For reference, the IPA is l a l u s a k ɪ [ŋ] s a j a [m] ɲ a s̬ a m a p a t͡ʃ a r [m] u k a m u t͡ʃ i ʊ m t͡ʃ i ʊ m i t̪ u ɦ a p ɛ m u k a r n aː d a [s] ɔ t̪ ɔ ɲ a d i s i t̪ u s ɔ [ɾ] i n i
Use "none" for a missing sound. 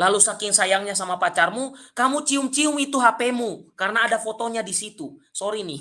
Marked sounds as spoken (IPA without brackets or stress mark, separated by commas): ŋ, ŋ, m, f, ɾ